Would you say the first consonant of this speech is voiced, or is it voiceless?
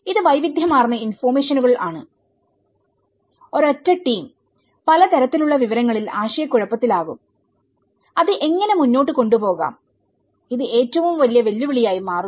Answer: voiced